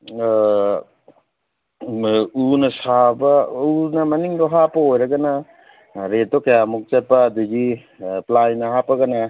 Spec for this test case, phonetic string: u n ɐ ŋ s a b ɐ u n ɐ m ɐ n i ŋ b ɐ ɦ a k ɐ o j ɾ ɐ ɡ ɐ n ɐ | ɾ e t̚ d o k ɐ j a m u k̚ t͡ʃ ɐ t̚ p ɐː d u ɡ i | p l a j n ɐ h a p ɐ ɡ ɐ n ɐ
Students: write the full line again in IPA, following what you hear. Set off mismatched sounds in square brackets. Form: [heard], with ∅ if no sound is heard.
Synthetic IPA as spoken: u n ɐ [∅] s a b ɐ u n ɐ m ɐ n i ŋ b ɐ ɦ a [p] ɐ o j ɾ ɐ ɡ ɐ n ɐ | ɾ e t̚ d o k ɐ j a m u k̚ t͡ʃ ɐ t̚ p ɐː d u ɡ i | p l a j n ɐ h a p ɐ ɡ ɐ n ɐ

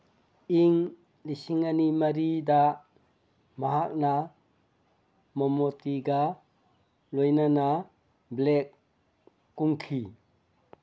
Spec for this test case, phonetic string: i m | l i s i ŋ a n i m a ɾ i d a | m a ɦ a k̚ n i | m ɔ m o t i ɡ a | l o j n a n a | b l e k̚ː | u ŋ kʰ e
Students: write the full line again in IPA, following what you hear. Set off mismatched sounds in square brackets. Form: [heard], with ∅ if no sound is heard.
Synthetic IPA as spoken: i [ŋ] | l i s i ŋ a n i m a ɾ i d a | m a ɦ a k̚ n [a] | m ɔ m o t i ɡ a | l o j n a n a | b l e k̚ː | u ŋ kʰ [i]

